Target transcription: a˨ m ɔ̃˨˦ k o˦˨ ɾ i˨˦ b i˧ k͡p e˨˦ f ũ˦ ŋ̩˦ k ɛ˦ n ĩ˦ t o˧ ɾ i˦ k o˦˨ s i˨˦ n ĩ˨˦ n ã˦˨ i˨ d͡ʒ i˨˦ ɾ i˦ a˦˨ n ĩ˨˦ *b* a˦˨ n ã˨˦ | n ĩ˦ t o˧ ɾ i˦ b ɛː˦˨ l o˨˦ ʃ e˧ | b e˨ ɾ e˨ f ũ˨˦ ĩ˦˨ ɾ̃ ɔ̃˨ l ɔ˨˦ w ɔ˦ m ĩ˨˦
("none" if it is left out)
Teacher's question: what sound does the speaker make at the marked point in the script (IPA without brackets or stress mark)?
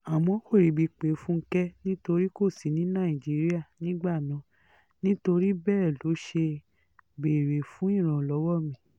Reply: ɡ͡b